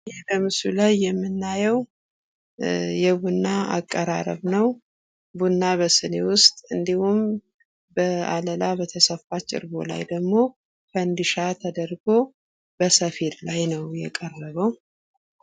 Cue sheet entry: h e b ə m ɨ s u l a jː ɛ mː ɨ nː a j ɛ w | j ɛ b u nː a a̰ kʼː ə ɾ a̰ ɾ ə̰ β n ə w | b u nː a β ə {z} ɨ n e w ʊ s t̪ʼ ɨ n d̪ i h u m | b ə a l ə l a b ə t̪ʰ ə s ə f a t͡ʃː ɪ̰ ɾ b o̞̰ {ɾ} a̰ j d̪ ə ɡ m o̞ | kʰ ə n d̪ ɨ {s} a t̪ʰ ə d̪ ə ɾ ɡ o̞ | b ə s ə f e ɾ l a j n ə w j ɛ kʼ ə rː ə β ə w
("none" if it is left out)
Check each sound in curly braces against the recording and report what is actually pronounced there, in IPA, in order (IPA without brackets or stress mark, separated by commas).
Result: s, l, ʃ